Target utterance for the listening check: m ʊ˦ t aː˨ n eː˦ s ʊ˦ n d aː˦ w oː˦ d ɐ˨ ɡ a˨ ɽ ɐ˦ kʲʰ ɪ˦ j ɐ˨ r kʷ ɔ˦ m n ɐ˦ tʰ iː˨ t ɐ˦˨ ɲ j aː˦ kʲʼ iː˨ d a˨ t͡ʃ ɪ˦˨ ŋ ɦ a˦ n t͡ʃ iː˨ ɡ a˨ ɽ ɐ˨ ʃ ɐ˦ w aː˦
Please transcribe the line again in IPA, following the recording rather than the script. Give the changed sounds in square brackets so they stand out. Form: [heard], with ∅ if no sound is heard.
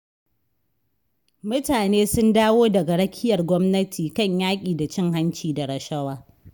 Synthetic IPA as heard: m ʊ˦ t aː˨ n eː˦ s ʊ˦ n d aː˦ w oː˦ d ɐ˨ ɡ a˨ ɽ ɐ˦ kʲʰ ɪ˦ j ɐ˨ r [ɡʷ] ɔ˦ m n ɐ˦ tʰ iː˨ [k] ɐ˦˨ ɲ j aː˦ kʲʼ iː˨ d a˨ t͡ʃ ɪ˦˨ ŋ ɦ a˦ n t͡ʃ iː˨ [d] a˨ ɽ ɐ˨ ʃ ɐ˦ w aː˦